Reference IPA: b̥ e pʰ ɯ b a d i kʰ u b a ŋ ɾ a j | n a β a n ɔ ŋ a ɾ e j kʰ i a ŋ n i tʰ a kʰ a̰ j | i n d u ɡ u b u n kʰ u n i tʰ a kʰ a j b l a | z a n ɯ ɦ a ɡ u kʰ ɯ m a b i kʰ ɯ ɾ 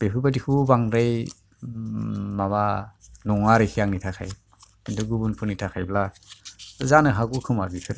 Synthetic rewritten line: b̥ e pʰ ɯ b a d i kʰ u b a ŋ ɾ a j | m a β a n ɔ ŋ a ɾ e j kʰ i a ŋ n i tʰ a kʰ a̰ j | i n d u ɡ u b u n pʰ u n i tʰ a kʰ a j b l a | z a n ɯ ɦ a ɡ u kʰ ɯ m a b i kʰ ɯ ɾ